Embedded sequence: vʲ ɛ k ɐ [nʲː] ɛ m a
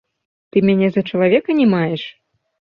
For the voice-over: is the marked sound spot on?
no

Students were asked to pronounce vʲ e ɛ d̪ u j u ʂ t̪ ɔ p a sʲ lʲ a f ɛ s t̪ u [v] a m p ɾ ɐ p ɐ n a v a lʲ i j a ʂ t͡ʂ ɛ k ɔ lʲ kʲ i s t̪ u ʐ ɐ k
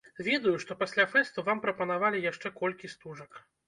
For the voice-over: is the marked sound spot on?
yes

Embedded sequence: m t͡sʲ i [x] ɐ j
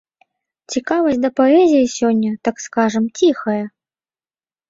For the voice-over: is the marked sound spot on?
yes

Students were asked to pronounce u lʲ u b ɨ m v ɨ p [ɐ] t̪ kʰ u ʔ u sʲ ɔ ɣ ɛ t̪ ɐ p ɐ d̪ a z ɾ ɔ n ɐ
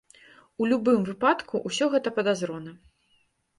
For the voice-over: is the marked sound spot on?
no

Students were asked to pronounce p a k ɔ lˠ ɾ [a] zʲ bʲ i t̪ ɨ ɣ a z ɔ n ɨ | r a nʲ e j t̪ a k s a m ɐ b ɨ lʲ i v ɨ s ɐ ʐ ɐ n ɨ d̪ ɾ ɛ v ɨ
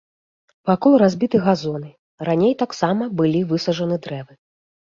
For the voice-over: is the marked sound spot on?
yes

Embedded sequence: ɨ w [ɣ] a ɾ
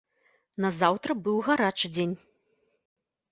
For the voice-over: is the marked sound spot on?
yes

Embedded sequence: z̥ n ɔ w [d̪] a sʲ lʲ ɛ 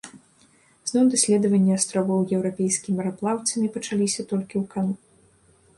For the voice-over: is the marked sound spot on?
yes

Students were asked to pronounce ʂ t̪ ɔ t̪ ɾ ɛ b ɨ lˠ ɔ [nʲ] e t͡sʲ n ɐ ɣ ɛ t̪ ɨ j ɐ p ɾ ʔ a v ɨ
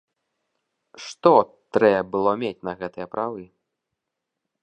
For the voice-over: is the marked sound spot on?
no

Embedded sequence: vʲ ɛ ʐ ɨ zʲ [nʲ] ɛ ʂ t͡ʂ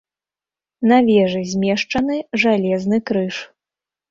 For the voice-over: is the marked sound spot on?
no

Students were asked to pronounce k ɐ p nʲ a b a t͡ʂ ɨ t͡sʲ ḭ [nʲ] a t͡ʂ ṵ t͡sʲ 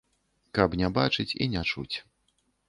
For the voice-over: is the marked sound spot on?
yes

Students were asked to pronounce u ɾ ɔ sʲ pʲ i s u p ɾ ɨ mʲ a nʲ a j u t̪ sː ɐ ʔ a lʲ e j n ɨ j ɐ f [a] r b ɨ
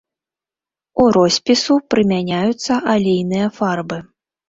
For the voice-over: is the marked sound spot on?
yes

